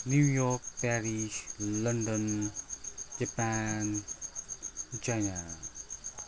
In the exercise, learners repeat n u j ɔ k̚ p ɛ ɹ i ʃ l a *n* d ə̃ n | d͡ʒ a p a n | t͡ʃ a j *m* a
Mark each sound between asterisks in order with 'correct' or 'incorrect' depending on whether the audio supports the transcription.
correct, incorrect: n

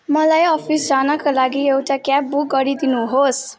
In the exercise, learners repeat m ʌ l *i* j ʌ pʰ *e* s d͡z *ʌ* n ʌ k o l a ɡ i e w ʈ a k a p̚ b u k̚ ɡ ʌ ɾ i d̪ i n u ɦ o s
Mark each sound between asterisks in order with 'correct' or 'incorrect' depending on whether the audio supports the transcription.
incorrect: a, incorrect: i, incorrect: a

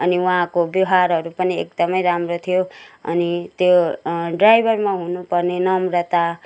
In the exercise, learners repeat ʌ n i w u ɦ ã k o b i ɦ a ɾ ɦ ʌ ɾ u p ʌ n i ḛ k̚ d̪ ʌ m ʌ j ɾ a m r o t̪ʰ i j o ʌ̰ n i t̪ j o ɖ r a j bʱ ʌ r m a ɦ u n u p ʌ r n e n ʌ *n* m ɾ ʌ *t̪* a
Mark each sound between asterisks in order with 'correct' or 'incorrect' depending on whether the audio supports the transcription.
incorrect: none, correct

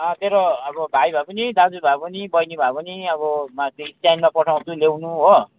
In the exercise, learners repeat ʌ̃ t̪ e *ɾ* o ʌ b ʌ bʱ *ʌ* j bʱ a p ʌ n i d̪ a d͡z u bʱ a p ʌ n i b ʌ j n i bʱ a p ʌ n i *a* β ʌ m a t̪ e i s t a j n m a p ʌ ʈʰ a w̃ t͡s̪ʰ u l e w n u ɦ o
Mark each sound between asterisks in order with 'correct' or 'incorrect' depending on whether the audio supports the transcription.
correct, incorrect: a, incorrect: ʌ

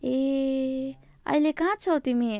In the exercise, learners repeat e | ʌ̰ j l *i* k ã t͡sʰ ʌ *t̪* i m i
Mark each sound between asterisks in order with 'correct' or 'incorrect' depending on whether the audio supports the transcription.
incorrect: e, correct

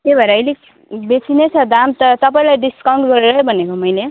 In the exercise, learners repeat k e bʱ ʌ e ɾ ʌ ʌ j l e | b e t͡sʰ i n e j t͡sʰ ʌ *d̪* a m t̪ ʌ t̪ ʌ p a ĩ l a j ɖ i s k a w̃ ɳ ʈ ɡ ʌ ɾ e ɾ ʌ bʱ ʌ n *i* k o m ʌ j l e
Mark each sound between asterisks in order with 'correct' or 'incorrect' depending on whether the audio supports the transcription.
correct, incorrect: e

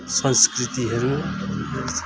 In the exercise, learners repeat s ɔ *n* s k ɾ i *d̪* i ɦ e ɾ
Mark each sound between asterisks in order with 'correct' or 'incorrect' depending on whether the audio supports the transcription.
correct, incorrect: t̪

